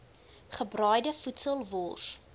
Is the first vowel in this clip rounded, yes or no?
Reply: no